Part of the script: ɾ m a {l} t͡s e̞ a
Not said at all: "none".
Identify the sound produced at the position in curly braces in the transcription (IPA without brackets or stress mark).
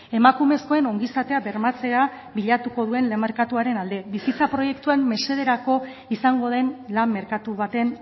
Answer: none